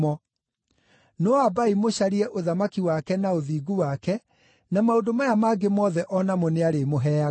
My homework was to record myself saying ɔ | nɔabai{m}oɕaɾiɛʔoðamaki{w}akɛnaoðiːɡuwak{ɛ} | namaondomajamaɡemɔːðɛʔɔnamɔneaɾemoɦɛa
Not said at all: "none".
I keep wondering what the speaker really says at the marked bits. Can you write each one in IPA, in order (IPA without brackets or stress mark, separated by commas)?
m, w, ɛ